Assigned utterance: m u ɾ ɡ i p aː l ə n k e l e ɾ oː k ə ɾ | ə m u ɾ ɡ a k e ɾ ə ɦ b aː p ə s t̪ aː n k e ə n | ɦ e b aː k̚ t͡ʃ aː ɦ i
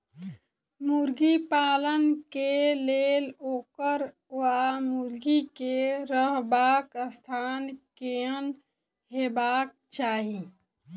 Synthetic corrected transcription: m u ɾ ɡ i p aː l ə n k e l e l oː k ə ɾ | a m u ɾ ɡ i k e ɾ ə ɦ b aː k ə s t̪ʰ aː n k e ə n | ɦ e b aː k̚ t͡ʃ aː ɦ i